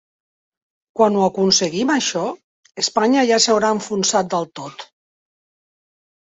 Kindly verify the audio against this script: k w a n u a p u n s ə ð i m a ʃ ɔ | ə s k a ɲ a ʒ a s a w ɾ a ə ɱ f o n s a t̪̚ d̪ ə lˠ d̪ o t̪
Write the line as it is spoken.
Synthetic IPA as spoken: k w a n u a k u n s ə ɣ i m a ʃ ɔ | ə s p a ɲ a ʒ a s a w ɾ a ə ɱ f u n s a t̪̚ d̪ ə lˠ t̪ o t̪